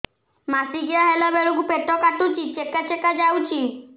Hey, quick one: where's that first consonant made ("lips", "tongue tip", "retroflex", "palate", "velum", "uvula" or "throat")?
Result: lips